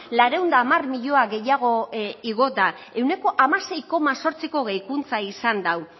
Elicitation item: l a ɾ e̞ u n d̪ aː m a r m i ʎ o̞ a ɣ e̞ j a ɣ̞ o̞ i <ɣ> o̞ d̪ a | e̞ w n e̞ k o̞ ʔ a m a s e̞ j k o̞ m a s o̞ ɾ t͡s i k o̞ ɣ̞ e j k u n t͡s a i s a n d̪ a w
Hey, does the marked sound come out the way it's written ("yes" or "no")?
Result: yes